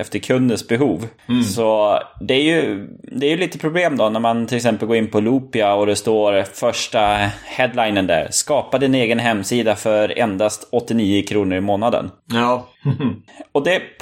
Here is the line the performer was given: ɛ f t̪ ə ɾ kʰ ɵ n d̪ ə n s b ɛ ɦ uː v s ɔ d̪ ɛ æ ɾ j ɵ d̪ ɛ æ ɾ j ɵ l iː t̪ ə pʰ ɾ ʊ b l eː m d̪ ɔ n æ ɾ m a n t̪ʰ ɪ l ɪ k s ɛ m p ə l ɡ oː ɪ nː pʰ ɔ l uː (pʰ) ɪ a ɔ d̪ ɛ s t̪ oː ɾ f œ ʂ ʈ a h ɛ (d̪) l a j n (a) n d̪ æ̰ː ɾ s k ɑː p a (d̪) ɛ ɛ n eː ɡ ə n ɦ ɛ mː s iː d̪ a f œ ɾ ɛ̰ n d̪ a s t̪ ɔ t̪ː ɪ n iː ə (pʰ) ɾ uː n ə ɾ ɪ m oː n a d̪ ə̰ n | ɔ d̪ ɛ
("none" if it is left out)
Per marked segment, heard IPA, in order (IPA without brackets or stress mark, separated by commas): p, d̪, ə, d̪, kʰ